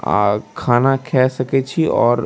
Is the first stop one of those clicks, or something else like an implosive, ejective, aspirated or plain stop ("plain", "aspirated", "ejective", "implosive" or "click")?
aspirated